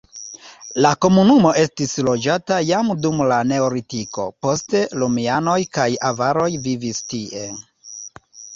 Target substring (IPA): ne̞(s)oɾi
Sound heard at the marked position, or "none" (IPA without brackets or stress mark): none